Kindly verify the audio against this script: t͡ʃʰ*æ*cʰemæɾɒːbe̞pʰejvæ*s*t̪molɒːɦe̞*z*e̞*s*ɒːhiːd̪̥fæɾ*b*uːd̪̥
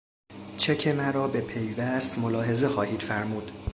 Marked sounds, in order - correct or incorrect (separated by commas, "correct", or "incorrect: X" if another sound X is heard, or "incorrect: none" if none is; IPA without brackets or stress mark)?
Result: incorrect: e, correct, correct, incorrect: x, incorrect: m